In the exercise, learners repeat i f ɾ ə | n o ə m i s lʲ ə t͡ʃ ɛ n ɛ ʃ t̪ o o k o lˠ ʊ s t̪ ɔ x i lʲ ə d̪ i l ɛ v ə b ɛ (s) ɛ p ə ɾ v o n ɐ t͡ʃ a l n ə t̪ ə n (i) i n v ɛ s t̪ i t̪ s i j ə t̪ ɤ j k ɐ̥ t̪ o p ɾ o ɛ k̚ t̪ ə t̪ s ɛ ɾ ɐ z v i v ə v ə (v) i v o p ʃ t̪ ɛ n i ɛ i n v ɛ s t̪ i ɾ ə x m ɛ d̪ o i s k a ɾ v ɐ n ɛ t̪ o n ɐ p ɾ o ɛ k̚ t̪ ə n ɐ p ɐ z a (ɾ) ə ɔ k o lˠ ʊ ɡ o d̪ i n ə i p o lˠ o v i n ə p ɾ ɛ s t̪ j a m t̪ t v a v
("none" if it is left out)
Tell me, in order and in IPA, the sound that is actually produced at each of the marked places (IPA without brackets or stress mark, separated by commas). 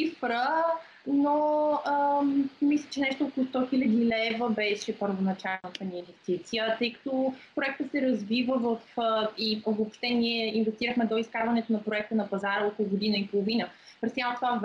ʃ, i, f, ɾ